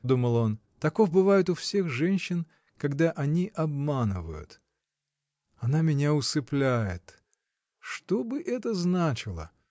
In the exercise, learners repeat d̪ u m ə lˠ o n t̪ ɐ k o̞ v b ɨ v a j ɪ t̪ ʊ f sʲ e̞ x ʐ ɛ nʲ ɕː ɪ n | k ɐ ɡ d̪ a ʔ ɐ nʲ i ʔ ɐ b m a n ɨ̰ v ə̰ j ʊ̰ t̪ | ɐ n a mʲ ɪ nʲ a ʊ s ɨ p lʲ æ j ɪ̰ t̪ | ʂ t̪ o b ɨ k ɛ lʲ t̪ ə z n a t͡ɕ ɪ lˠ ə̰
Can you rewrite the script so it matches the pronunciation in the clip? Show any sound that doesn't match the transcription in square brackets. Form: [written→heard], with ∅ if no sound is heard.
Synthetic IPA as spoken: d̪ u m ə lˠ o n t̪ ɐ k o̞ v b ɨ v a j ɪ t̪ ʊ f sʲ e̞ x ʐ ɛ nʲ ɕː ɪ n | k ɐ ɡ d̪ a ʔ ɐ nʲ i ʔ ɐ b m a n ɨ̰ v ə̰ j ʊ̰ t̪ | ɐ n a mʲ ɪ nʲ a ʊ s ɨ p lʲ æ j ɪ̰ t̪ | ʂ t̪ o b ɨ [k→ʔ] ɛ [lʲ→∅] t̪ ə z n a t͡ɕ ɪ lˠ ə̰